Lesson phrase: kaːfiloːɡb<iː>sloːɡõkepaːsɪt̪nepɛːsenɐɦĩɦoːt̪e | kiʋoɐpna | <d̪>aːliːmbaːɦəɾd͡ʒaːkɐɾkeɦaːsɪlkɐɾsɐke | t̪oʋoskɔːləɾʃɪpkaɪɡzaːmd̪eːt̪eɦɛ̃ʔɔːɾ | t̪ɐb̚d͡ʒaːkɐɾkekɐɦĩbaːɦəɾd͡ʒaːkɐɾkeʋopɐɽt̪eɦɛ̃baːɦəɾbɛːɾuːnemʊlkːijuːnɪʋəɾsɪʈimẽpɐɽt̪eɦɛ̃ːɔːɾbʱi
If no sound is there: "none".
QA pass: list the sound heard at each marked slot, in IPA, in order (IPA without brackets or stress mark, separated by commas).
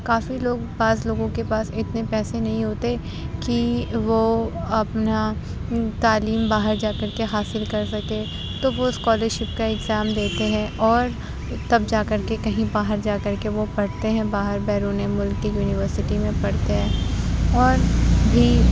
aː, t̪